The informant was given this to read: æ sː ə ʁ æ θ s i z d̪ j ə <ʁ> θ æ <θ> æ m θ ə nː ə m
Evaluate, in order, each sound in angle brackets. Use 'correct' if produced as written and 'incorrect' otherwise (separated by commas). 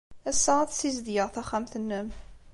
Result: correct, incorrect